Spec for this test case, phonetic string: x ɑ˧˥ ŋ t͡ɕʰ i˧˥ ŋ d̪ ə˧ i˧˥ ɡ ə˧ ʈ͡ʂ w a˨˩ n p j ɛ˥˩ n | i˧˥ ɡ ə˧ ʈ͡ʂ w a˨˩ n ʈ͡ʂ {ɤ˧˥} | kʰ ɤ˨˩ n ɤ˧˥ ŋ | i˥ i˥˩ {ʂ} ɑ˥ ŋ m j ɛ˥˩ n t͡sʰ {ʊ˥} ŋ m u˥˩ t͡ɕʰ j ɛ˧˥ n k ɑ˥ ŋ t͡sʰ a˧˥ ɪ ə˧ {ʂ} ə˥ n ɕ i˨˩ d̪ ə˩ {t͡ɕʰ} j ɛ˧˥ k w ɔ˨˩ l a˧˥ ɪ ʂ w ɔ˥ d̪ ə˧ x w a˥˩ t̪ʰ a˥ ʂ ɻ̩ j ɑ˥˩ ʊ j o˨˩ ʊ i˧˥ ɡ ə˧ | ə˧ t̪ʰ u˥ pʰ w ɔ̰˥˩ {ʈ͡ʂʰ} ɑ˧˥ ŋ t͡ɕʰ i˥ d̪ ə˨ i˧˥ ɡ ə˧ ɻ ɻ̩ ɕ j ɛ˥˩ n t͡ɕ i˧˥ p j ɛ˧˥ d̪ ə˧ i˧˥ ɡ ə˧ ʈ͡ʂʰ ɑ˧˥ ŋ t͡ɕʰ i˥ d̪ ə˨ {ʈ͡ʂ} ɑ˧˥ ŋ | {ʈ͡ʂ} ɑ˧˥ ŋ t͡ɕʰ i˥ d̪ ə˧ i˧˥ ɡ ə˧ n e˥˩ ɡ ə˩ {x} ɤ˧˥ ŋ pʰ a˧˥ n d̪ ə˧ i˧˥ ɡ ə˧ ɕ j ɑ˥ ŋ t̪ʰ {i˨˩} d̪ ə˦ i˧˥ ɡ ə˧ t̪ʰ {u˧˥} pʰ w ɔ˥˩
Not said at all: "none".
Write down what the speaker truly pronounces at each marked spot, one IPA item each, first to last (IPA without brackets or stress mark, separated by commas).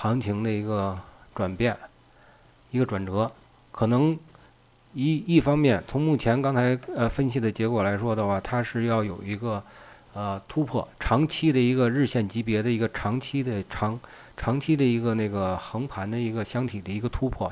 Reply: ɤ˧˥, f, ʊ˧˥, f, t͡ɕ, ʈ͡ʂʰ, ʈ͡ʂʰ, ʈ͡ʂʰ, x, i˨˩, u˥